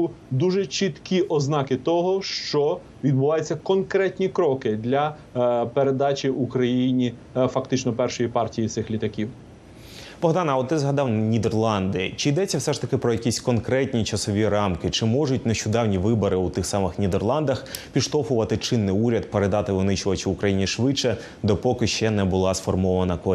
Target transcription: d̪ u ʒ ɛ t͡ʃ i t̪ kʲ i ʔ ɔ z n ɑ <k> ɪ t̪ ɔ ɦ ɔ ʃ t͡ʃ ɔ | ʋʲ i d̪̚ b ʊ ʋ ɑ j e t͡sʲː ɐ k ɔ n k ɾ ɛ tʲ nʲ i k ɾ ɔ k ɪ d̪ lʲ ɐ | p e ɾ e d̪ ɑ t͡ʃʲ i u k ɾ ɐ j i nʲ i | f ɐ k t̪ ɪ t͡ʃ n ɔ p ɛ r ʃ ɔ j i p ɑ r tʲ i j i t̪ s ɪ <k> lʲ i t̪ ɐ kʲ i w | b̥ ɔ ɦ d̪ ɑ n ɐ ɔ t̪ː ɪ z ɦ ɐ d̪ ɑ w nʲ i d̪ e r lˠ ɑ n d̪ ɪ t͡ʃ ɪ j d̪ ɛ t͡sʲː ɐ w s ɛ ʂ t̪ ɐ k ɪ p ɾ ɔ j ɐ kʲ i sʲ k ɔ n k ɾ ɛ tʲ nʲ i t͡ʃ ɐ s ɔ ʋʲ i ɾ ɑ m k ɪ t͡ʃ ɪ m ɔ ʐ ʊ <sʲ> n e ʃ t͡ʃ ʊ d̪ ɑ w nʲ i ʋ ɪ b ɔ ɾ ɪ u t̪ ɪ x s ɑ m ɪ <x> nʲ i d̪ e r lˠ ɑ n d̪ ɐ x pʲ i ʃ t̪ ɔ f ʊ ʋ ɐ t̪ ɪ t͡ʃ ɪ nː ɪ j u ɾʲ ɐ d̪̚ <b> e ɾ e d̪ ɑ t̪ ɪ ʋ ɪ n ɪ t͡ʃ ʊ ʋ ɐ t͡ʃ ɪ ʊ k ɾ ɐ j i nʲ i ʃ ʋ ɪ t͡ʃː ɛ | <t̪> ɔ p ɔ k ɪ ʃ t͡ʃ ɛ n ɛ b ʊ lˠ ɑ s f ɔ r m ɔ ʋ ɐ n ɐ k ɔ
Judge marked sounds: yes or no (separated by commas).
yes, no, no, yes, no, no